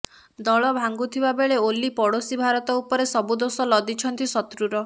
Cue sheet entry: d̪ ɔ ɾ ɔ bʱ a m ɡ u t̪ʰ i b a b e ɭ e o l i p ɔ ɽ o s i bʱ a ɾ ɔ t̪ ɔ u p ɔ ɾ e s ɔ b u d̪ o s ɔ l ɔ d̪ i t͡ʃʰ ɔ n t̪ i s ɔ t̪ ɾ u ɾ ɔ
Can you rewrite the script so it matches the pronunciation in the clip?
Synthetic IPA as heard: d̪ ɔ ɭ ɔ bʱ a ŋ ɡ u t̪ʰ i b a b e ɭ e o l i p ɔ ɽ o s i bʱ a ɾ ɔ t̪ ɔ u p ɔ ɾ e s ɔ b u d̪ o s ɔ l ɔ d̪ i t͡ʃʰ ɔ n t̪ i s ɔ t̪ ɾ u ɾ ɔ